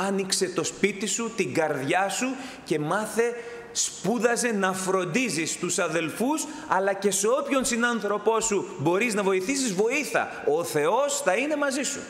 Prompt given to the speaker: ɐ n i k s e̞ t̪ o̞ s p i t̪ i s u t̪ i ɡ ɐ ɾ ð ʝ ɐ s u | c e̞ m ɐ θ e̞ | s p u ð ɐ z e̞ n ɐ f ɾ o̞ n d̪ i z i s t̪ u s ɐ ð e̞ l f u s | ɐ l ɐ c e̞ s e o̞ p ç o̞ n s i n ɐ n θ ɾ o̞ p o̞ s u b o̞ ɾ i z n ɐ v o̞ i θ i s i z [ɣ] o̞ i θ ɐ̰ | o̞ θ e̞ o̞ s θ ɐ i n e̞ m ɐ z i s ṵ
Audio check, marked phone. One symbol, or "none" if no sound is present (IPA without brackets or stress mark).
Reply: v